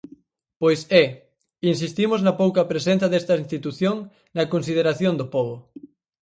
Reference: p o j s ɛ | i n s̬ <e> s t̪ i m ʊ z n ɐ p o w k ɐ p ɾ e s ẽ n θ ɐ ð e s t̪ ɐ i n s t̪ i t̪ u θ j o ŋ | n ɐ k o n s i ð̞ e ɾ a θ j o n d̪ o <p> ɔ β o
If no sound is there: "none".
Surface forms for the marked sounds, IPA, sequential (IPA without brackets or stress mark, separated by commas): i, p